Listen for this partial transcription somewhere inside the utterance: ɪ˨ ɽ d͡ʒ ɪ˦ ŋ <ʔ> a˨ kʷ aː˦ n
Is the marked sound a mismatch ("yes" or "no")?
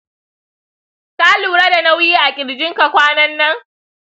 yes